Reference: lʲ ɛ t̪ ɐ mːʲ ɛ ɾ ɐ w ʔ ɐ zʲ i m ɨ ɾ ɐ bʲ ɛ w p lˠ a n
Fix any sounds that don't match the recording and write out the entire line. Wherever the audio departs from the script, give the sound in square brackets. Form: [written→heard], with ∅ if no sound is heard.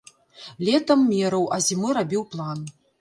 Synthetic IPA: lʲ ɛ t̪ ɐ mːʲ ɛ ɾ ɐ w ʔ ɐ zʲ i m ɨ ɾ [ɐ→a] bʲ [ɛ→i] w p lˠ a n